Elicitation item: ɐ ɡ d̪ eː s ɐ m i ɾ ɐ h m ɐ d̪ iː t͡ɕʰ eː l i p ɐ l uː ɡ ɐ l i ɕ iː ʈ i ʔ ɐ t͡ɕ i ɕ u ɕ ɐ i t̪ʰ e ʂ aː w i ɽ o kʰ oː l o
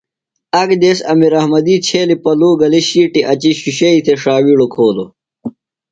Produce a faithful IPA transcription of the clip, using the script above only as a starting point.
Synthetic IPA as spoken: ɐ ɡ d̪ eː s ɐ m i ɾ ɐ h m ɐ d̪ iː t͡ɕʰ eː l i p ɐ l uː ɡ ɐ l i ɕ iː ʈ i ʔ ɐ t͡ɕ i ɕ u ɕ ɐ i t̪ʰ e ʂ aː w i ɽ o kʰ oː l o